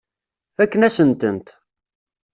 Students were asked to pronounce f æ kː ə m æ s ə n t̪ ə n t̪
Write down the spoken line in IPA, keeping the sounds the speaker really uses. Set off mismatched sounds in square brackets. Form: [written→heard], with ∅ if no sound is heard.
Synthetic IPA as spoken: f æ kː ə [m→n] æ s ə n t̪ ə n t̪